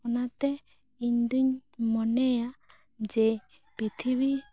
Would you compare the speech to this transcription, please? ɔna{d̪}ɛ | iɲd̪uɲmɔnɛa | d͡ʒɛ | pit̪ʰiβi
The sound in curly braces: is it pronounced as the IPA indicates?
no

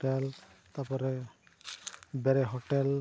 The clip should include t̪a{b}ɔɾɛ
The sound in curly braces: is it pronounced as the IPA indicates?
no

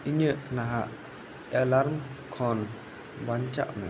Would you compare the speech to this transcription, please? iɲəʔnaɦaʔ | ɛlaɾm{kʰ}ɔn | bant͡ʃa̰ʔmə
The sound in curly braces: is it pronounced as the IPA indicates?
yes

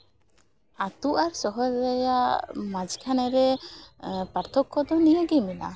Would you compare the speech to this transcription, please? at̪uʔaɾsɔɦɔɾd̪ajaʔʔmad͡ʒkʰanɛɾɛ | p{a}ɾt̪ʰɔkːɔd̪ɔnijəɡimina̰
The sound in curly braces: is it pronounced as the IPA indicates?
yes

